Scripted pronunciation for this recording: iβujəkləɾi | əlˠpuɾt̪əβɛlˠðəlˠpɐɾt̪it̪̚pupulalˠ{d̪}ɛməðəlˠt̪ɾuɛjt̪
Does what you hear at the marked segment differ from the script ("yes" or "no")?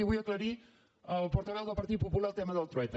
yes